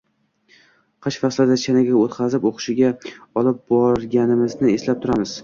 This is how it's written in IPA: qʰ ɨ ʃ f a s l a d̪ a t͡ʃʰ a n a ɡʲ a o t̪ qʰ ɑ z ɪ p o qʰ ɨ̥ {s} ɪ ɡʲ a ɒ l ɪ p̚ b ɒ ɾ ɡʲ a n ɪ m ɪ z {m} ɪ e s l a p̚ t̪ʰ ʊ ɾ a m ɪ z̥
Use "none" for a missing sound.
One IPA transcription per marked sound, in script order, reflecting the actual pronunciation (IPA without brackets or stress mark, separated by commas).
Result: ʃ, n